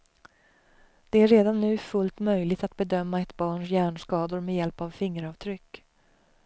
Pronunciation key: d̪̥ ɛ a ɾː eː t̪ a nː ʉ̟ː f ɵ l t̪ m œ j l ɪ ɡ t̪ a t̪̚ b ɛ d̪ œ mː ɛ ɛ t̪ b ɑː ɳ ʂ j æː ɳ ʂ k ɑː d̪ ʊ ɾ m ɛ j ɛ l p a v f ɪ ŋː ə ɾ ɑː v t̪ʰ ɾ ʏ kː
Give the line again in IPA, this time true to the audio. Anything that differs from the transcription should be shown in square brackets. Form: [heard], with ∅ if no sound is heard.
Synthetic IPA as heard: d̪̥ ɛ [æ] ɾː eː [d̪] a nː ʉ̟ː f ɵ l t̪ m œ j l ɪ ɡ t̪ a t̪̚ b ɛ d̪ œ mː [a] ɛ t̪ b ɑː ɳ ʂ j æː ɳ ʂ k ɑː d̪ ʊ ɾ m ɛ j ɛ l p a v f ɪ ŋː ə ɾ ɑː v t̪ʰ ɾ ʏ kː

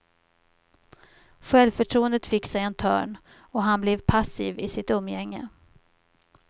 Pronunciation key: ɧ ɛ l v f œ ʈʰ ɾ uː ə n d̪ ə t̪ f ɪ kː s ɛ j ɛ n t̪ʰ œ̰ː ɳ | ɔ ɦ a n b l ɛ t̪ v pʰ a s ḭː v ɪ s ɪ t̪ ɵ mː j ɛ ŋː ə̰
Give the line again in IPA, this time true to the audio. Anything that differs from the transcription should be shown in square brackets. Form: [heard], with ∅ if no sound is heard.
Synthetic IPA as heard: ɧ ɛ l v f œ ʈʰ ɾ uː ə n d̪ ə t̪ f ɪ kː s ɛ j ɛ n t̪ʰ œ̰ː ɳ | ɔ ɦ a n b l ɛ [∅] v pʰ a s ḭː v ɪ s ɪ t̪ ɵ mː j ɛ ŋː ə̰

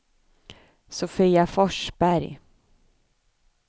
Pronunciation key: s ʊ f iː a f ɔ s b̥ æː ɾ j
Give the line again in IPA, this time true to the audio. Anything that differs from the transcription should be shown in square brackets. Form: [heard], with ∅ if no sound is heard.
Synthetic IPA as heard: s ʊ f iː a f ɔ [ʂ] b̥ [æ] ɾ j

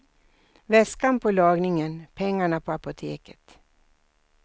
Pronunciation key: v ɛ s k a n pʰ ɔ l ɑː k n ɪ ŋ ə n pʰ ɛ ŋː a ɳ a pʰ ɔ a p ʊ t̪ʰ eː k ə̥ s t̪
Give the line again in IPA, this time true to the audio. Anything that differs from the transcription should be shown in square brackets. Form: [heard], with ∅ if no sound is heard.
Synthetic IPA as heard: v ɛ s k a n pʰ ɔ l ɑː [ɡ] n ɪ ŋ ə n pʰ ɛ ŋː a ɳ a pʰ ɔ a p ʊ t̪ʰ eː k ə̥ [∅] t̪

